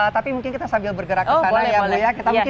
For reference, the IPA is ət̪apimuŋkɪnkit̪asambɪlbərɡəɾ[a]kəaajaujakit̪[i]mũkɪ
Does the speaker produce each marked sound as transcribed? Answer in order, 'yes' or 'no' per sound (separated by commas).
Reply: yes, no